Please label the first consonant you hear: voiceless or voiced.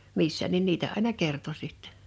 voiced